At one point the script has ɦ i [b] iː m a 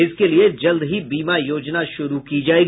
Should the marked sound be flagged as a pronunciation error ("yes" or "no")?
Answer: no